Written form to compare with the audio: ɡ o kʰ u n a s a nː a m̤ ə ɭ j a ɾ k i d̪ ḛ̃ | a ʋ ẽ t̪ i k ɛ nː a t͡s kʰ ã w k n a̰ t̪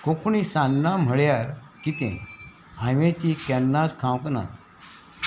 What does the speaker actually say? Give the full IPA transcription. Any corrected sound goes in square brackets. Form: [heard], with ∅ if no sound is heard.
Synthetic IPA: [k] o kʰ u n [i] s a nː a m̤ ə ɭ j a ɾ k i [t̪] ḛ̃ | a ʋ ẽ t̪ i k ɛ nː a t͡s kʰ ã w k n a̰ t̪